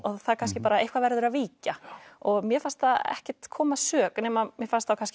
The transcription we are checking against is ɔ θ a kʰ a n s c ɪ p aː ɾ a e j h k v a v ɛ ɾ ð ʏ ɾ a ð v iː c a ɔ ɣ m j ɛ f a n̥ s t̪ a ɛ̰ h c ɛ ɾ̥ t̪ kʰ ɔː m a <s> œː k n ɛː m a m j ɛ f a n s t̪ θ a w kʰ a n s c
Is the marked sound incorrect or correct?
correct